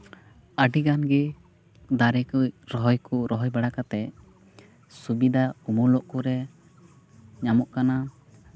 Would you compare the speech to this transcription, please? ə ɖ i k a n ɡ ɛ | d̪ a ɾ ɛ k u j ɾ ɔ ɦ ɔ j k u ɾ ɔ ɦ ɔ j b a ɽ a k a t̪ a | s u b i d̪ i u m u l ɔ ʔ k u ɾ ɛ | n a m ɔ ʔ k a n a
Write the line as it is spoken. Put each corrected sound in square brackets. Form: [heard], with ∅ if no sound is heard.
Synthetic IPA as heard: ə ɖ i [ɡ] a n ɡ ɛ | d̪ a ɾ ɛ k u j ɾ ɔ ɦ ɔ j k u ɾ ɔ ɦ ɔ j b a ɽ a k a t̪ [ɛ] | s u b i d̪ [a] u m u l ɔ ʔ k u ɾ ɛ | [ɲ] a m ɔ ʔ k a n a